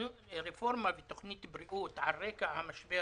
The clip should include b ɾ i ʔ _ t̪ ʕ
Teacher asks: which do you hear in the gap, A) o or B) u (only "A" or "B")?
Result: B